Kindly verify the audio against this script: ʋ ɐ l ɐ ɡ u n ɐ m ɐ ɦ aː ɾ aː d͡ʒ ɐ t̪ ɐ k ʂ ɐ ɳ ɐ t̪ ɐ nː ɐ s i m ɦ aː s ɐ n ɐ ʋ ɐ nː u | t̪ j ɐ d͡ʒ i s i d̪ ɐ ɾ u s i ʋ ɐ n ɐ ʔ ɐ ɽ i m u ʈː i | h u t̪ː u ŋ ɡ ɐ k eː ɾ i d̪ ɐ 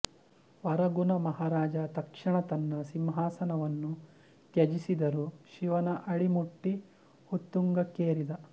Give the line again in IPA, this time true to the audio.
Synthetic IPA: ʋ ɐ ɾ ɐ ɡ u n ɐ m ɐ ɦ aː ɾ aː d͡ʒ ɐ t̪ ɐ k ʂ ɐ ɳ ɐ t̪ ɐ nː ɐ s i m ɦ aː s ɐ n ɐ ʋ ɐ nː u | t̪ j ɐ d͡ʒ i s i d̪ ɐ ɾ u ʃ i ʋ ɐ n ɐ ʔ ɐ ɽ i m u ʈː i | h u t̪ː u ŋ ɡ ɐ k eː ɾ i d̪ ɐ